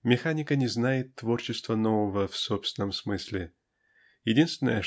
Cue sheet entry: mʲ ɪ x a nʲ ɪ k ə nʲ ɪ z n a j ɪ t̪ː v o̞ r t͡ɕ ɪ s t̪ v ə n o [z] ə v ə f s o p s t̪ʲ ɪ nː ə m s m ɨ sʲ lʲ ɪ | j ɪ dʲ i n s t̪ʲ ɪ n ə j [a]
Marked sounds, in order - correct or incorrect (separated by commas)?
incorrect, incorrect